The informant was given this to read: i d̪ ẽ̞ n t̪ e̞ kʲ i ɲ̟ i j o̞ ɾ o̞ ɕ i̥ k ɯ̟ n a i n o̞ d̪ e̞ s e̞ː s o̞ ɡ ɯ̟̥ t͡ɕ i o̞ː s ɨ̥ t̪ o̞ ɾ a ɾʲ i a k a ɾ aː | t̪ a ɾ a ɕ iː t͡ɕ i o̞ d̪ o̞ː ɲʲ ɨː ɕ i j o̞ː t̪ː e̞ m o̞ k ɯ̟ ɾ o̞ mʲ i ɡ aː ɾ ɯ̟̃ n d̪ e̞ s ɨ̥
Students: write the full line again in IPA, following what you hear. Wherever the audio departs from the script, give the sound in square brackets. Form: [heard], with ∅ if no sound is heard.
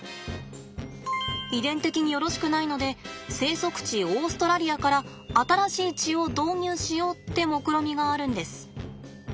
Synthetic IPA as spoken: i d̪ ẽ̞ n t̪ e̞ kʲ i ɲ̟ i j o̞ ɾ o̞ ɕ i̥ k ɯ̟ n a i n o̞ d̪ e̞ s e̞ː s o̞ [k] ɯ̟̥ t͡ɕ i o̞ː s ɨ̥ t̪ o̞ ɾ a ɾʲ i a k a ɾ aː | t̪ a ɾ a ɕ iː t͡ɕ i o̞ d̪ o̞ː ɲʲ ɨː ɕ i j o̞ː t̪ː e̞ m o̞ k ɯ̟ ɾ o̞ mʲ i ɡ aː ɾ ɯ̟̃ n d̪ e̞ s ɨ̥